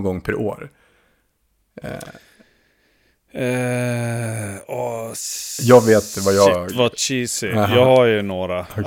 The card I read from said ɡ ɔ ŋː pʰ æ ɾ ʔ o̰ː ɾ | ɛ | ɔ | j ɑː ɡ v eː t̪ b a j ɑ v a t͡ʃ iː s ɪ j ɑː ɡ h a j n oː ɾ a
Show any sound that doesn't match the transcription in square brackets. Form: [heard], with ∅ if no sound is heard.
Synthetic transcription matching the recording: ɡ ɔ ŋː pʰ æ ɾ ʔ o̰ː ɾ | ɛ | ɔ | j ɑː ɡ v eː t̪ [v] a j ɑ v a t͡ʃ iː s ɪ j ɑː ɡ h a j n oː ɾ a